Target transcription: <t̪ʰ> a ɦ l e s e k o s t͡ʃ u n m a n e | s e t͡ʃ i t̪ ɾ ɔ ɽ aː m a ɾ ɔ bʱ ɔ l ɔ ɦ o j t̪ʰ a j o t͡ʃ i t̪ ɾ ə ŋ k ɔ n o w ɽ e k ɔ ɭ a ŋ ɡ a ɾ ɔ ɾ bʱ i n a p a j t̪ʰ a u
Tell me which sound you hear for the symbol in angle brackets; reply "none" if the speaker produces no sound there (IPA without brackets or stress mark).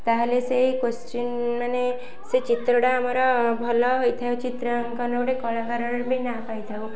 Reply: t̪